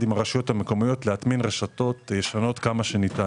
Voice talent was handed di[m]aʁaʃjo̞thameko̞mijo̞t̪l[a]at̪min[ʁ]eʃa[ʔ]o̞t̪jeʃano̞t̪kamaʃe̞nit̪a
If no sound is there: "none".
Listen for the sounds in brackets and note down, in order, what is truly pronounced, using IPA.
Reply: m, e, ʁ, t

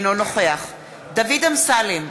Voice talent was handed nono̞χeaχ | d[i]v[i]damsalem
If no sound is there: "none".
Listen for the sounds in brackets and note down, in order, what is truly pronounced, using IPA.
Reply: a, i

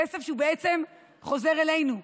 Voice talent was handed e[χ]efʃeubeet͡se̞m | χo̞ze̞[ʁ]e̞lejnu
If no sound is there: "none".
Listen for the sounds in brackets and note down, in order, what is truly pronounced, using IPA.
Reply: s, ʁ

